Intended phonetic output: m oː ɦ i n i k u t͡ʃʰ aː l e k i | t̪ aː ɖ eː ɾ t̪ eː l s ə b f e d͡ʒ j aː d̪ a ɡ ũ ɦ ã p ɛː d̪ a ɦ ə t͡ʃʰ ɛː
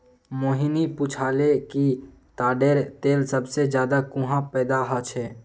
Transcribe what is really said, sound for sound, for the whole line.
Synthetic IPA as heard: m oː ɦ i n i p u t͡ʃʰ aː l e k i | t̪ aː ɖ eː ɾ t̪ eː l s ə b s e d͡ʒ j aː d̪ a k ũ ɦ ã p ɛː d̪ a ɦ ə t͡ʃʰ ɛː